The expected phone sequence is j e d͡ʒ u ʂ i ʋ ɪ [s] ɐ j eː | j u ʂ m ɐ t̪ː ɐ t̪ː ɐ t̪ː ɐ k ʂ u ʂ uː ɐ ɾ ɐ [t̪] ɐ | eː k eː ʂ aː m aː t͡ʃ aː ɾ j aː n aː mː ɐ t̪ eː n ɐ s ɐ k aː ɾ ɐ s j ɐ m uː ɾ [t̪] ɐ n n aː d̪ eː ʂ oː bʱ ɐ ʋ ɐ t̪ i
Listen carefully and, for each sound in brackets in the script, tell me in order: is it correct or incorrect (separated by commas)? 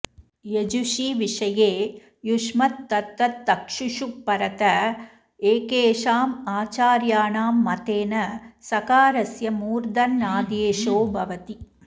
incorrect, correct, incorrect